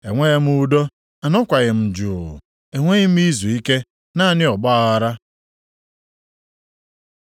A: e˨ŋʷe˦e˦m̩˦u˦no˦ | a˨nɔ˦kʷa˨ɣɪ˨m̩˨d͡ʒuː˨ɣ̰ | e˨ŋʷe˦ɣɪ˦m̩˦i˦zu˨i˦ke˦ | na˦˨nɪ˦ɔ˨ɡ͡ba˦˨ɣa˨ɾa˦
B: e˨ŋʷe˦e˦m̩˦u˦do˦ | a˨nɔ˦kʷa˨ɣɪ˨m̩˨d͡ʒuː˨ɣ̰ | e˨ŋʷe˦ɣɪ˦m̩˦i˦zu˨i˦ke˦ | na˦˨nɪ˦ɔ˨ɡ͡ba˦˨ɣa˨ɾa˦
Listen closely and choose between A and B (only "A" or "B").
B